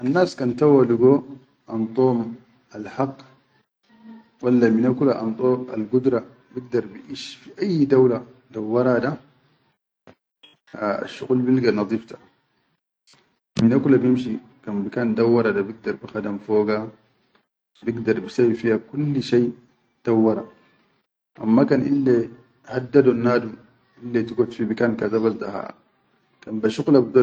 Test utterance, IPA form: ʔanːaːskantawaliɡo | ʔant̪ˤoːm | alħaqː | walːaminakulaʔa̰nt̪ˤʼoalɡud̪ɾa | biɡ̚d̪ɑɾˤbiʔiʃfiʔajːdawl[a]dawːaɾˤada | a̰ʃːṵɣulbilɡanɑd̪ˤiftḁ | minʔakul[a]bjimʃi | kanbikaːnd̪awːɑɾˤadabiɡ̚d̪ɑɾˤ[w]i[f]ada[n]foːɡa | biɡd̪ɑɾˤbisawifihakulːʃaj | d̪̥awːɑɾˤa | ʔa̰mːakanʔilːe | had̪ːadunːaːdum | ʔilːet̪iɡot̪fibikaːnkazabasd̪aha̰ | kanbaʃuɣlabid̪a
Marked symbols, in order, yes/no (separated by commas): yes, yes, no, no, no